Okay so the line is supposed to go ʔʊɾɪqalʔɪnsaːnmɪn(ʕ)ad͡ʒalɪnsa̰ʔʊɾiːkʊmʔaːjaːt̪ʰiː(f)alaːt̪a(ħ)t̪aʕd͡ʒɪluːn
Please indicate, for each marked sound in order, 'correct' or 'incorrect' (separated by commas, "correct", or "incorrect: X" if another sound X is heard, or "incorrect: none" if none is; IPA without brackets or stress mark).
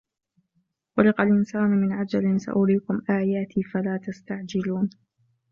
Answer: correct, correct, incorrect: s